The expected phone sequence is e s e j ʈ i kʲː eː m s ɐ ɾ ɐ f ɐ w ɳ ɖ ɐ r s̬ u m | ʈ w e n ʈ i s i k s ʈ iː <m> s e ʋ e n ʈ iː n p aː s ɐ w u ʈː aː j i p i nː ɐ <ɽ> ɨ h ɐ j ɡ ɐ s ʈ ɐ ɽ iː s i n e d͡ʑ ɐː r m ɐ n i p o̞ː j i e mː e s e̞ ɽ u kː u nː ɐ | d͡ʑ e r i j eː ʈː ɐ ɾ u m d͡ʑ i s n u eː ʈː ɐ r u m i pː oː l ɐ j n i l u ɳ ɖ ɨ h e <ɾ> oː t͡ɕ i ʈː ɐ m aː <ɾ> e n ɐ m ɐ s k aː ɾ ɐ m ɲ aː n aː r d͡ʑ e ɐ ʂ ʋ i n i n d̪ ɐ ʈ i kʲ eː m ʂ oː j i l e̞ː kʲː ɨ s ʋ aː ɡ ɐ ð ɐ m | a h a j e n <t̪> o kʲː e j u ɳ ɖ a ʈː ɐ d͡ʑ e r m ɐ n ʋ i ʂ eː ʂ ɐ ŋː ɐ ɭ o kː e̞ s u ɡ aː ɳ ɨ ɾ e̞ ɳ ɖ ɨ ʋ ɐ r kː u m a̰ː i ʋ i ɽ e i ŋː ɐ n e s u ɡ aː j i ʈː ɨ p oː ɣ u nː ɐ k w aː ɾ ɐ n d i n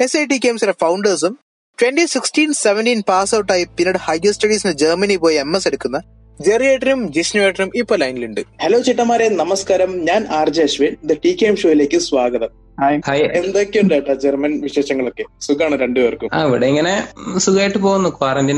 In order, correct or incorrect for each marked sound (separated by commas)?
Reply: incorrect, correct, incorrect, correct, incorrect